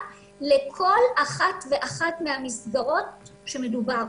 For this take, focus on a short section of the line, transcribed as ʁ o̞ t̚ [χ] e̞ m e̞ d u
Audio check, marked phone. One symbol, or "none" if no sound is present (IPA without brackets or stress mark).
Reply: ʃ